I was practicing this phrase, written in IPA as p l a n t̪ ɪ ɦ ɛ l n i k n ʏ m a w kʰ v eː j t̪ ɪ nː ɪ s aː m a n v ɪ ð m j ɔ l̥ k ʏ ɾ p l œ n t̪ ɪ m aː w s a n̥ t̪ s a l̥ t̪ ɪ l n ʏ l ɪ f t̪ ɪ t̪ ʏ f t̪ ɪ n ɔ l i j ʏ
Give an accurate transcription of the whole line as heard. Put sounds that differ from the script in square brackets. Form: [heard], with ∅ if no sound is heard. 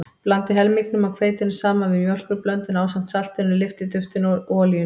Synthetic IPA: p l a n t̪ ɪ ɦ ɛ l [m] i k n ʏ m a w kʰ v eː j t̪ ɪ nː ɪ s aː m a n v ɪ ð m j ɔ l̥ k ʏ ɾ p l œ n t̪ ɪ [n] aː w s a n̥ t̪ s a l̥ t̪ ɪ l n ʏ l ɪ f t̪ ɪ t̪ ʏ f t̪ ɪ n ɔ l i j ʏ